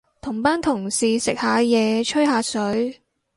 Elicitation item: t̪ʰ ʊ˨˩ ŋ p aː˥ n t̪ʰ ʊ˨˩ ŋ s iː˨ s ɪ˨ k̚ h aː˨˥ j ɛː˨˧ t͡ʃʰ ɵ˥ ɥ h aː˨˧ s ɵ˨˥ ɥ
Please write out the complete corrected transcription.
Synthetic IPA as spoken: t̪ʰ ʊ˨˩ ŋ p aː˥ n t̪ʰ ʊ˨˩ ŋ s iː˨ s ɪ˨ k̚ h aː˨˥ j ɛː˨˧ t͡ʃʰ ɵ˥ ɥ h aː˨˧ s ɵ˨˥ ɥ